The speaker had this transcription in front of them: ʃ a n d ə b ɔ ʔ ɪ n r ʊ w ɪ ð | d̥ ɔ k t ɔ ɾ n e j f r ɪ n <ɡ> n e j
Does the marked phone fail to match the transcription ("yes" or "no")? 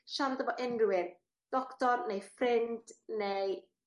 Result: yes